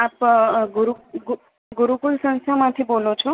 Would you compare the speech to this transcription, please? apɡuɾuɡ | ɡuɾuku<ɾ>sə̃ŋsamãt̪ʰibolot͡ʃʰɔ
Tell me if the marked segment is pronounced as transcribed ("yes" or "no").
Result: no